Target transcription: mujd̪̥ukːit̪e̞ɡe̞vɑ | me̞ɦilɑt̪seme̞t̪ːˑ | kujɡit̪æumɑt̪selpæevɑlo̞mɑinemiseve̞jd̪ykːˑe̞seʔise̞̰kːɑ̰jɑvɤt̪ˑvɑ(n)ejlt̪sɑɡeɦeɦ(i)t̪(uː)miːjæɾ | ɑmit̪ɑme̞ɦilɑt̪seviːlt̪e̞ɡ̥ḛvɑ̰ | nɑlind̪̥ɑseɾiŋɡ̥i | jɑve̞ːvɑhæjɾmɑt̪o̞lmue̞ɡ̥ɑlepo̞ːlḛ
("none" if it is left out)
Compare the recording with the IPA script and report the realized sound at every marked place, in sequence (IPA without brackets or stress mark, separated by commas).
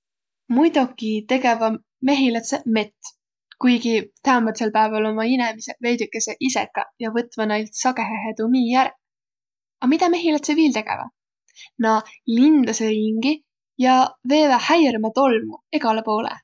n, e, u